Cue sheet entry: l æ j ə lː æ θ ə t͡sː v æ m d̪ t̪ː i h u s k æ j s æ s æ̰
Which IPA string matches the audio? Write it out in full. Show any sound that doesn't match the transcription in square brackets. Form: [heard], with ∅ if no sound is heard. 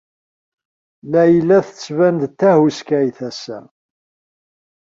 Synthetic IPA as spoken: l æ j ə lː æ θ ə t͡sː v æ [n] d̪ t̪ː [æ] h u s k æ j [θ] æ s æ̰